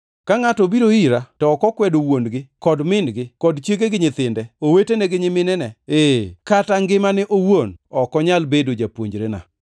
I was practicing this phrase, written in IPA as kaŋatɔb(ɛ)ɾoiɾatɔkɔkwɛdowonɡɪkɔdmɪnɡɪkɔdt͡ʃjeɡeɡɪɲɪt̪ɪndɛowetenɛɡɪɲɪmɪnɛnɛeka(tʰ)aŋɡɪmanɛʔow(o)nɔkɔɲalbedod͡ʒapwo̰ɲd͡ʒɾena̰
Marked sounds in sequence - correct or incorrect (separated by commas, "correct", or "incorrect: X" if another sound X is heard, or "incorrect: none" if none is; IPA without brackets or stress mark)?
incorrect: i, incorrect: t, correct